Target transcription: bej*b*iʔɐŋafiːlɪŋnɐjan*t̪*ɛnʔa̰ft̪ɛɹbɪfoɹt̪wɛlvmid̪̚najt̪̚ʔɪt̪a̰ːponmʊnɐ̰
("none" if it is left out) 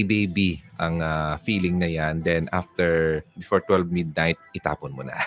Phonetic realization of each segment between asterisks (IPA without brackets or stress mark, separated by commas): b, d̪